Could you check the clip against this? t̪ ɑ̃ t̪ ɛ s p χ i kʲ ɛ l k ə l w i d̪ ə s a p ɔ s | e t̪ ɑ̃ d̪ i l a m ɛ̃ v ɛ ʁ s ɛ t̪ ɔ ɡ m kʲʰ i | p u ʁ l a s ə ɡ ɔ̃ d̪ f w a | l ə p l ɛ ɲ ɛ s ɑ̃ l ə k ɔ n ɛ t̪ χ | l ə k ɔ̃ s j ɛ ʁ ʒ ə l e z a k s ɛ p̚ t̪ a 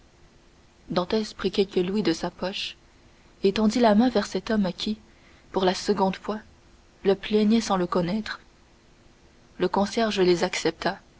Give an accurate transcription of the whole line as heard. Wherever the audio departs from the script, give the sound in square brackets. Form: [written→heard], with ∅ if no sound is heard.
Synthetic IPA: [t̪→d̪] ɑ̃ t̪ ɛ s p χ i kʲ ɛ l k ə l w i d̪ ə s a p ɔ [s→ʃ] | e t̪ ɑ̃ d̪ i l a m ɛ̃ v ɛ ʁ s ɛ t̪ ɔ [ɡ→∅] m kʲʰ i | p u ʁ l a s ə ɡ ɔ̃ d̪ f w a | l ə p l ɛ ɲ ɛ s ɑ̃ l ə k ɔ n ɛ t̪ χ | l ə k ɔ̃ s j ɛ ʁ ʒ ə l e z a k s ɛ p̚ t̪ a